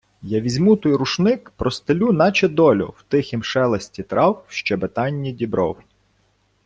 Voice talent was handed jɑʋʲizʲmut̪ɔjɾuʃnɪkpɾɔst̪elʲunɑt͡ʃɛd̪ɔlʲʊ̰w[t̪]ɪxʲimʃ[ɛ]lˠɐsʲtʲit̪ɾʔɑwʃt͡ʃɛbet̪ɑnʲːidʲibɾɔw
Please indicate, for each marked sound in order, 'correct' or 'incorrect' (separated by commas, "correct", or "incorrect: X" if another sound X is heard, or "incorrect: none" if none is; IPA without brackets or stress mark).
correct, correct